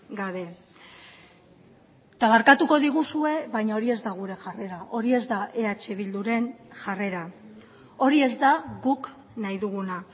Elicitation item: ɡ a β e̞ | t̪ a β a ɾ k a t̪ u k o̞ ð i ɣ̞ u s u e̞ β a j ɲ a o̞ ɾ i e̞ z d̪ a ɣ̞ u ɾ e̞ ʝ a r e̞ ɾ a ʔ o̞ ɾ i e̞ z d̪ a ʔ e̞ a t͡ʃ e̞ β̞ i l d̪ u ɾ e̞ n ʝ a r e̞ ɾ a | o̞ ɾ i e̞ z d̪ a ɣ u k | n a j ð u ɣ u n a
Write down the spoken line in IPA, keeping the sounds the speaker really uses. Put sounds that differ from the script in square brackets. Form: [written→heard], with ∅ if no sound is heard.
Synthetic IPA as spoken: ɡ a β e̞ | t̪ a β a ɾ k a t̪ u k o̞ ð i ɣ̞ u s u e̞ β a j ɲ a o̞ ɾ i e̞ z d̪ a ɣ̞ u ɾ e̞ ʝ a r e̞ ɾ a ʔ o̞ ɾ i e̞ z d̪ a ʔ e̞ a t͡ʃ e̞ β̞ i l d̪ u ɾ e̞ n ʝ a r e̞ ɾ a | o̞ ɾ i e̞ z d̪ a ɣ u k | n a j ð u ɣ u n a